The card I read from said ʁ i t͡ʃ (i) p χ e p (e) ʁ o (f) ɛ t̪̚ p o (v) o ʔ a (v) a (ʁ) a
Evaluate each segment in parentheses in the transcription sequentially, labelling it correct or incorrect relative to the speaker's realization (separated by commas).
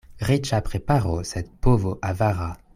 incorrect, incorrect, incorrect, correct, correct, correct